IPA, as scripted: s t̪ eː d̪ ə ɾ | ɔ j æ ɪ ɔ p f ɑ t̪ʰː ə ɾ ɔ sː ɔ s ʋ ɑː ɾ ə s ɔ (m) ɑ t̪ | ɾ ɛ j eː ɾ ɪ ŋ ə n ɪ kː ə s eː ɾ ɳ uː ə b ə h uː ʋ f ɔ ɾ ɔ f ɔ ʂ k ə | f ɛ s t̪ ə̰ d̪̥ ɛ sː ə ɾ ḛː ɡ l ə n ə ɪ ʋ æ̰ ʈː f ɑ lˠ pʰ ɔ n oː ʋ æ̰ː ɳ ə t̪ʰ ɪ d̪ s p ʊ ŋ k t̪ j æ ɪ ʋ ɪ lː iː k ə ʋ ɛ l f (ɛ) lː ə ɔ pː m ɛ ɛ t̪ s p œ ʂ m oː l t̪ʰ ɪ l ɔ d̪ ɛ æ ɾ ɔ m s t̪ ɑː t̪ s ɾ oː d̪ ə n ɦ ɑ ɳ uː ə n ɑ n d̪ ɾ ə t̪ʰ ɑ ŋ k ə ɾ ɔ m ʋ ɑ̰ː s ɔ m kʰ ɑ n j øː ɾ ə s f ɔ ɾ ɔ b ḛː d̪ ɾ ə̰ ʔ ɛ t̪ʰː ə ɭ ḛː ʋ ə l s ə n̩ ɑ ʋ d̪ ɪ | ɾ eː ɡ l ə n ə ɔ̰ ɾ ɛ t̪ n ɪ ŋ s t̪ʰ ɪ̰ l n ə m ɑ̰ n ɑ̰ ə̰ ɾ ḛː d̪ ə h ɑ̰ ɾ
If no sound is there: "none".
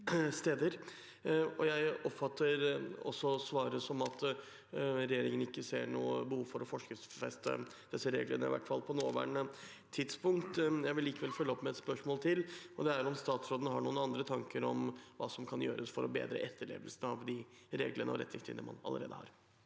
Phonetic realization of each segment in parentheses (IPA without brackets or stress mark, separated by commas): m, œ